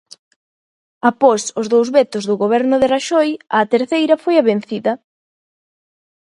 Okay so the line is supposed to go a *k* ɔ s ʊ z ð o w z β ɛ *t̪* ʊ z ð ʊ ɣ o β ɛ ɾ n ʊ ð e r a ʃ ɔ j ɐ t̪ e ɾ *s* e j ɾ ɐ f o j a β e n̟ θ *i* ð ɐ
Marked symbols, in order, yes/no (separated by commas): no, yes, no, yes